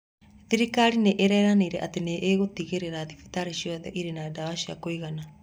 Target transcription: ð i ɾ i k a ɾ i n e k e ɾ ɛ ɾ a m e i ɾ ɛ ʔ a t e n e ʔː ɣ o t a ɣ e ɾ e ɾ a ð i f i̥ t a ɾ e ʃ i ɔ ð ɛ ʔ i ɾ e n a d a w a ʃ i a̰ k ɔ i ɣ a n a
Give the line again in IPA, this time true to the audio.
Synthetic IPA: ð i ɾ i k a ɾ i n e ʔ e ɾ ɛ ɾ a n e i ɾ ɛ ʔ a t e n e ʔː ɣ o t i ɣ e ɾ e ɾ a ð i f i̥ t a ɾ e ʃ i ɔ ð ɛ ʔ i ɾ e n a d a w a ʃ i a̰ k o i ɣ a n a